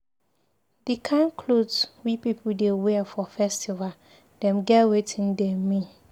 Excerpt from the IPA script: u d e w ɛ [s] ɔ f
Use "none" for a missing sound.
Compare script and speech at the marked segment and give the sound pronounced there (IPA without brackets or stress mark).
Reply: f